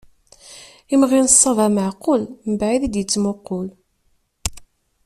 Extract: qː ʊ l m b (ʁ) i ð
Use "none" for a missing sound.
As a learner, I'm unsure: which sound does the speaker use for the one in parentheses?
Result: ʕ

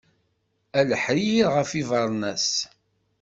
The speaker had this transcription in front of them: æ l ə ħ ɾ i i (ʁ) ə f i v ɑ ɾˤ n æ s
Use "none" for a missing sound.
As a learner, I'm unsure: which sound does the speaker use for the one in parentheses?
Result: ʁ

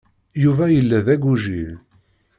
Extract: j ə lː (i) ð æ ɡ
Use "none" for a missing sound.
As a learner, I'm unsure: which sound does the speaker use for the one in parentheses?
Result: æ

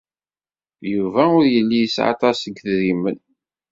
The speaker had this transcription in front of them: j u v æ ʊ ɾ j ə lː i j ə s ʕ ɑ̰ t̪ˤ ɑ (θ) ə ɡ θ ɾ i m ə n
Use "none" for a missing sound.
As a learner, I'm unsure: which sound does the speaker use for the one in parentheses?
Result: s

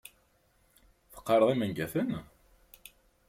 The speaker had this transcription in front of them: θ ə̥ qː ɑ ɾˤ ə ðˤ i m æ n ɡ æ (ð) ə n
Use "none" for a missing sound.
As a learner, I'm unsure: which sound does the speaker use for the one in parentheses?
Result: θ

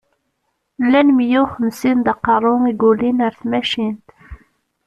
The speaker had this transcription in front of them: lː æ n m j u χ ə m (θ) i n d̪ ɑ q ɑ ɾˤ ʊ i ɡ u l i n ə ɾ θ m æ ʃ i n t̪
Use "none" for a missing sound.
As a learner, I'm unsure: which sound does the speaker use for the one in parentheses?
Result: s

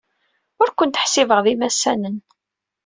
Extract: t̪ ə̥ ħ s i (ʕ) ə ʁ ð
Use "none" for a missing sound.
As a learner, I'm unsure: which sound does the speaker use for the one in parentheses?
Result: v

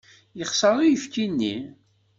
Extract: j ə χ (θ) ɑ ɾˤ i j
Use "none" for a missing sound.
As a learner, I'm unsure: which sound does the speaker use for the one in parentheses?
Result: s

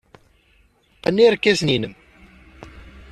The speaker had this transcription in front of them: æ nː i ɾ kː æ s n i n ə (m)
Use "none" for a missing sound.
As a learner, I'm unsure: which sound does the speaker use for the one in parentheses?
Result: m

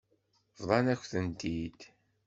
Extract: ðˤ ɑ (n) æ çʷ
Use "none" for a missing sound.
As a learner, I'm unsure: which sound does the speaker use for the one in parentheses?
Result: n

